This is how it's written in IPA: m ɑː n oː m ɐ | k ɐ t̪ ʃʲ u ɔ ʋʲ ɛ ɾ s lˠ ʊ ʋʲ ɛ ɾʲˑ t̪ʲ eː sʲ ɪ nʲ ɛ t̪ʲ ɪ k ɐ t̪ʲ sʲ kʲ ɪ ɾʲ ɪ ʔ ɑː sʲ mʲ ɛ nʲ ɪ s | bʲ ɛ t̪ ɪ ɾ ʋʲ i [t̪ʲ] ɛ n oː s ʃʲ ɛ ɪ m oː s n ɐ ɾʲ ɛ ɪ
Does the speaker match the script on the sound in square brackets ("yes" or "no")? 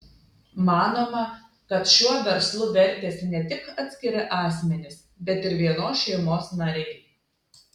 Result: no